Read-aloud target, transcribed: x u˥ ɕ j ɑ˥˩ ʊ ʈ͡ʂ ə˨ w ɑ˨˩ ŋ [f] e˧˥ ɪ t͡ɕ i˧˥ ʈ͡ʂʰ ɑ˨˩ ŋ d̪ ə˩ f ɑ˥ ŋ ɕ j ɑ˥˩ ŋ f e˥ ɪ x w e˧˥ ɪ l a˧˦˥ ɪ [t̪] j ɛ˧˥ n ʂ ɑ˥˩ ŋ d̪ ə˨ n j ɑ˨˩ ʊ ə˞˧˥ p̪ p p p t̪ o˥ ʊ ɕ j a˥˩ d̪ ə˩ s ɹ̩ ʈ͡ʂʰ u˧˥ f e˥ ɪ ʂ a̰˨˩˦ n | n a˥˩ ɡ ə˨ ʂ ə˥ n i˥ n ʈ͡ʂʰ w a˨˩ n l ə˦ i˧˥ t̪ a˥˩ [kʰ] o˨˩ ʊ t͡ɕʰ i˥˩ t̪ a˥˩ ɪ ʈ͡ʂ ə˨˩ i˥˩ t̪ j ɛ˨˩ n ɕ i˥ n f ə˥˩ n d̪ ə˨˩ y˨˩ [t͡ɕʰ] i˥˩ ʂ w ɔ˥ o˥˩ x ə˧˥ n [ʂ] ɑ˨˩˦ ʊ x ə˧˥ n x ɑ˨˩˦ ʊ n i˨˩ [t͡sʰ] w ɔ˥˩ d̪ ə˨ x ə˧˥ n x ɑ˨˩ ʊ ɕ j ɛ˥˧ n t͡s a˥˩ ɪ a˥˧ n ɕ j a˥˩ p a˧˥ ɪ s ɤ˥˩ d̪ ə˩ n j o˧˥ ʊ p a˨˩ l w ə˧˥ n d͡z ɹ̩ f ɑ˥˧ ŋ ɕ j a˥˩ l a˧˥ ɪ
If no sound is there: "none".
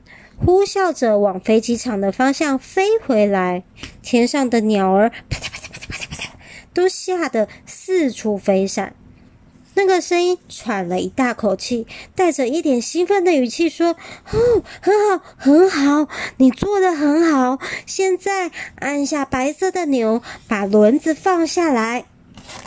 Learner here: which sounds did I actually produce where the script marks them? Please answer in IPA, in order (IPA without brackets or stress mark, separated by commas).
f, t̪ʰ, kʰ, t͡ɕʰ, x, t͡s